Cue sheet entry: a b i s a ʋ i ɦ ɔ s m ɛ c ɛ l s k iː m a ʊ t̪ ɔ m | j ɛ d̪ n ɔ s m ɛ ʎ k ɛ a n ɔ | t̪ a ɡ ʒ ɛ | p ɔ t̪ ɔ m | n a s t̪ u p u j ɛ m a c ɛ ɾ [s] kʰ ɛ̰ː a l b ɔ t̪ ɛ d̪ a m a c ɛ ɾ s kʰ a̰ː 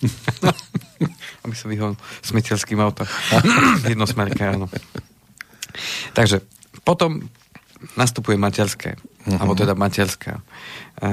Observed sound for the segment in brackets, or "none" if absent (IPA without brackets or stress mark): s